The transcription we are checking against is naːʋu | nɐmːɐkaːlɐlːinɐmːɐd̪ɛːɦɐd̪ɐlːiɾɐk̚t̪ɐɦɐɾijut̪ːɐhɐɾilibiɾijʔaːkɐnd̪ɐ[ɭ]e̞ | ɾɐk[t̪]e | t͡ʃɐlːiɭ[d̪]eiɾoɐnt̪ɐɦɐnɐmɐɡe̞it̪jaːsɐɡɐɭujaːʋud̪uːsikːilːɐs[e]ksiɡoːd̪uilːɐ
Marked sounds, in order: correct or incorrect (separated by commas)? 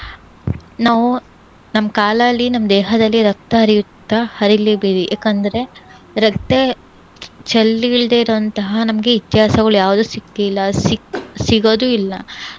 incorrect, correct, correct, incorrect